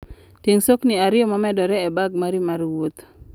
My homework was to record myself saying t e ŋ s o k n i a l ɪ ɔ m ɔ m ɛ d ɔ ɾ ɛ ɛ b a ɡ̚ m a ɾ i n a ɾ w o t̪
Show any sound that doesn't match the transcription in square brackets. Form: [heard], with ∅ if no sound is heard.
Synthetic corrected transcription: t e ŋ s o k n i a [ɾ] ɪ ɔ m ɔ m ɛ d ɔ ɾ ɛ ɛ b a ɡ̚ m a ɾ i [m] a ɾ w o t̪